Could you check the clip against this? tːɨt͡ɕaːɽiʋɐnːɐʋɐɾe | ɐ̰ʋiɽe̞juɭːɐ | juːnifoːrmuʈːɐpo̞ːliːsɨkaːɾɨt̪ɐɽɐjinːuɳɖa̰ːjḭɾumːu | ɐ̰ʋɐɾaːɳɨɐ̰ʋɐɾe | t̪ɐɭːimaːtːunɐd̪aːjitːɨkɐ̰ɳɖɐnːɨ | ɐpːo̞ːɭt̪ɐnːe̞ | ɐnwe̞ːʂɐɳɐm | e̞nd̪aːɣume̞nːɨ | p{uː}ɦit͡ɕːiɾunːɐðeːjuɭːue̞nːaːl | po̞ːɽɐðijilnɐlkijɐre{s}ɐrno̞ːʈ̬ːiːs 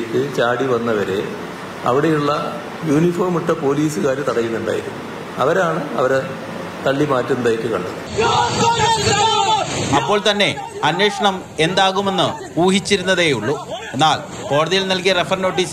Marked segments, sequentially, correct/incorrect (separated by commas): correct, incorrect